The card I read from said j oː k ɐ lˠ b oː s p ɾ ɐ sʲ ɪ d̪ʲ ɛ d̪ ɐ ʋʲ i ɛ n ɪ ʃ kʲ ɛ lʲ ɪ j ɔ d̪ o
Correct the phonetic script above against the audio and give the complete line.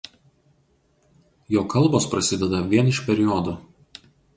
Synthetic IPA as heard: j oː k ɐ lˠ b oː s p ɾ ɐ sʲ ɪ d̪ʲ ɛ d̪ ɐ ʋʲ i ɛ n ɪ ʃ pʲ ɛ ɾʲ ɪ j ɔ d̪ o

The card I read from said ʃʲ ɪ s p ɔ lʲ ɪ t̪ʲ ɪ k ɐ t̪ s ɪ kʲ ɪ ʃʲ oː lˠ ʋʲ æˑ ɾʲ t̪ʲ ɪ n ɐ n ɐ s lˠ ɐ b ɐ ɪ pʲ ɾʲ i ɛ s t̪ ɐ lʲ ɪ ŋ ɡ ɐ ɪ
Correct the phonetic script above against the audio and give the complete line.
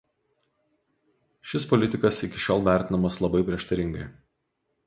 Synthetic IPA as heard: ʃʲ ɪ s p ɔ lʲ ɪ t̪ʲ ɪ k ɐ s ɪ kʲ ɪ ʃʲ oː lˠ ʋʲ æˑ ɾʲ t̪ʲ ɪ n ɐ m ɐ s lˠ ɐ b ɐ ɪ pʲ ɾʲ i ɛ ʃ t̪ ɐ ɾʲ ɪ ŋ ɡ ɐ ɪ

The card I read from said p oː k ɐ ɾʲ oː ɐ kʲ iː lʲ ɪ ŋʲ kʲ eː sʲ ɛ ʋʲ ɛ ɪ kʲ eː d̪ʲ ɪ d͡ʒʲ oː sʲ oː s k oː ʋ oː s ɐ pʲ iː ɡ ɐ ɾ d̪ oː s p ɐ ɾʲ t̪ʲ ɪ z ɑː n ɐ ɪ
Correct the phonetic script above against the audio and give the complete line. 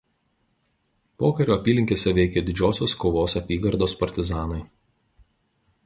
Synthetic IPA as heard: p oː k ɐ ɾʲ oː ɐ pʲ iː lʲ ɪ ŋʲ kʲ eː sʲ ɛ ʋʲ ɛ ɪ kʲ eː d̪ʲ ɪ d͡ʒʲ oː sʲ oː s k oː ʋ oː s ɐ pʲ iː ɡ ɐ ɾ d̪ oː s p ɐ ɾʲ t̪ʲ ɪ z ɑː n ɐ ɪ

